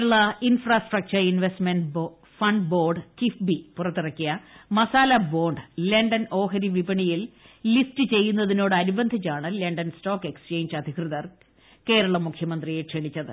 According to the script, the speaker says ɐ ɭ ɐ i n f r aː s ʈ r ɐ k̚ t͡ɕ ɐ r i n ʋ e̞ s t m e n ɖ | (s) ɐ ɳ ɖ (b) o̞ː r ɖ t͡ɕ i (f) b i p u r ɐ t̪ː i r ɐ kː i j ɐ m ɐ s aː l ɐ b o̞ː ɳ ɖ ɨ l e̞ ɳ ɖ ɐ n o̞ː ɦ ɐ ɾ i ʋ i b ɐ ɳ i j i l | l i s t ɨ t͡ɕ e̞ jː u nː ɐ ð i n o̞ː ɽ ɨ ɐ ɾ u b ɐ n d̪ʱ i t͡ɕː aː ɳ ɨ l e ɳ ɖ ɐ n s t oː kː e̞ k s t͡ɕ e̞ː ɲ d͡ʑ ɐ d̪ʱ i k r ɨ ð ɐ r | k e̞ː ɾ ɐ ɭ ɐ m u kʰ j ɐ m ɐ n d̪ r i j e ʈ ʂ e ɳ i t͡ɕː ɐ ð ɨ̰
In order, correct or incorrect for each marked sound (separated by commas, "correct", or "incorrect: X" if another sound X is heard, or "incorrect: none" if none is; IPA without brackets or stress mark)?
incorrect: f, correct, correct